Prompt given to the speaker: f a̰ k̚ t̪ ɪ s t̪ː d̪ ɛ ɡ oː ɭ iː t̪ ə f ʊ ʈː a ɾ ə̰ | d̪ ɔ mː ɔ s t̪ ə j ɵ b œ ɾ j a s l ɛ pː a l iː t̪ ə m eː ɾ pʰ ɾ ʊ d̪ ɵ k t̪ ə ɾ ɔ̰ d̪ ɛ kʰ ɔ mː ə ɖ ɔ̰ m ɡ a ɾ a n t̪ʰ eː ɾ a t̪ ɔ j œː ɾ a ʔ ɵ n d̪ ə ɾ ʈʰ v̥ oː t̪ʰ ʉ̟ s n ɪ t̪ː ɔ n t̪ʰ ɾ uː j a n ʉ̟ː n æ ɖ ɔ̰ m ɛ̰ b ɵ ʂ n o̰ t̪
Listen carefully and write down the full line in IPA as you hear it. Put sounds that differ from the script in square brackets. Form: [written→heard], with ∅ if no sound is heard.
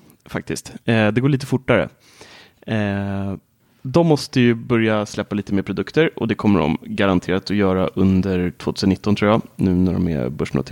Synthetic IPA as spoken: f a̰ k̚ t̪ ɪ s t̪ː d̪ ɛ ɡ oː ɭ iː t̪ ə f ʊ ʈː a ɾ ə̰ | d̪ ɔ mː ɔ s t̪ ə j ɵ b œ ɾ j a s l ɛ pː a l iː t̪ ə m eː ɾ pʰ ɾ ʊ d̪ ɵ k t̪ ə ɾ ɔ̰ d̪ ɛ kʰ ɔ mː ə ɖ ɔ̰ m ɡ a ɾ a n t̪ʰ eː ɾ a t̪ ɔ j œː ɾ a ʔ ɵ n d̪ ə ɾ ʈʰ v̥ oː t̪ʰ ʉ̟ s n ɪ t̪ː ɔ n t̪ʰ ɾ uː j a n ʉ̟ː n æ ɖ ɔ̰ m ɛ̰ b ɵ ʂ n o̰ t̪